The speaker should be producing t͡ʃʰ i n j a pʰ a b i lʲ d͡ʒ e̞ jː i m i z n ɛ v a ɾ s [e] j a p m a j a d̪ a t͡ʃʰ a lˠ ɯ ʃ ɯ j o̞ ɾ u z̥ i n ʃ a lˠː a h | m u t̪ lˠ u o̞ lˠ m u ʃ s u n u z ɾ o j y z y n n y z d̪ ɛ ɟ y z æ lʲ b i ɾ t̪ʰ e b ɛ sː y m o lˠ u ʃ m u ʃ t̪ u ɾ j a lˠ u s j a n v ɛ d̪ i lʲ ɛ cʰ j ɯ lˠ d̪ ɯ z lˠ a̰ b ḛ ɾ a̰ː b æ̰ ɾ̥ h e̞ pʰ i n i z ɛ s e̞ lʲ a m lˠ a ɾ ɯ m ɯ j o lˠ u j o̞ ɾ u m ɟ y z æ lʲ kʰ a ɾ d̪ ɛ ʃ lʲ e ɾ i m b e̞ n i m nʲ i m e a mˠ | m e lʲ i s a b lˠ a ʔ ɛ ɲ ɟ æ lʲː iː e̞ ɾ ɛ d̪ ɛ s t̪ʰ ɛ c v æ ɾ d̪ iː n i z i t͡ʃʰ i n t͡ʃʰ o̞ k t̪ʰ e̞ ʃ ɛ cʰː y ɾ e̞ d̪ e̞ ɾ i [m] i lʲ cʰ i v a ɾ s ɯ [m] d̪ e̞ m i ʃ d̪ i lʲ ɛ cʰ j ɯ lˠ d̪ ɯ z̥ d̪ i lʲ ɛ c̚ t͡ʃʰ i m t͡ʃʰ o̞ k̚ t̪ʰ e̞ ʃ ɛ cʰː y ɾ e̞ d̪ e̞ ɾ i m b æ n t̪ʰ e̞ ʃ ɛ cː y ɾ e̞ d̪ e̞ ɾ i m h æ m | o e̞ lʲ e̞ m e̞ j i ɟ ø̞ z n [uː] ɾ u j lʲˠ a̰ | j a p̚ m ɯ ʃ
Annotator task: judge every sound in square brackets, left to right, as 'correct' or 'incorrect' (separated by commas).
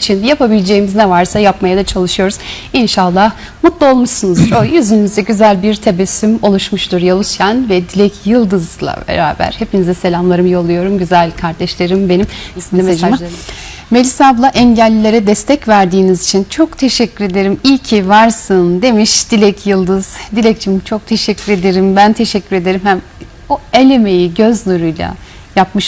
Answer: incorrect, correct, incorrect, incorrect